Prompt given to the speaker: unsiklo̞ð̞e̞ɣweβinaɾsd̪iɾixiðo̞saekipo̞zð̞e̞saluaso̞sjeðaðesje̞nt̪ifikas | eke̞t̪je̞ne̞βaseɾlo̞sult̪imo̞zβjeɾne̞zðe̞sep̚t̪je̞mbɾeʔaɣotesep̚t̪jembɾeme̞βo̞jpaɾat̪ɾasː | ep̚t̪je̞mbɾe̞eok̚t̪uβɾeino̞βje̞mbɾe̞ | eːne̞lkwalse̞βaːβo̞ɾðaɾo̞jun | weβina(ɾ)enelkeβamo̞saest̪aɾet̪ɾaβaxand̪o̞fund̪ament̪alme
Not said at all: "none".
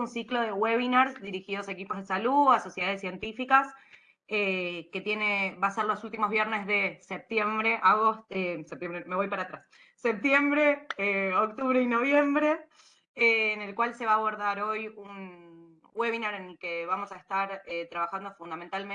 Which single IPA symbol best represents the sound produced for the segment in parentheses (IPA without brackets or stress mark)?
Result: ɾ